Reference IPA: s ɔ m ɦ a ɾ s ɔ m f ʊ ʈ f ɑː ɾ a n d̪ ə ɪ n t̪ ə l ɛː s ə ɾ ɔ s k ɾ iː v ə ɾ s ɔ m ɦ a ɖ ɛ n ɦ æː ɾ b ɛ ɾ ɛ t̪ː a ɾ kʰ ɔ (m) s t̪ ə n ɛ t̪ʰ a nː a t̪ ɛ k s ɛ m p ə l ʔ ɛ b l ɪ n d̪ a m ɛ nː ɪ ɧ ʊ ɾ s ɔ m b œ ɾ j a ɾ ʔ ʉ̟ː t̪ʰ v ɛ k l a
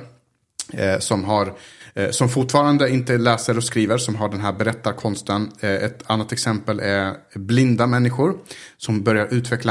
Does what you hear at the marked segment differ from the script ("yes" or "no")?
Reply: yes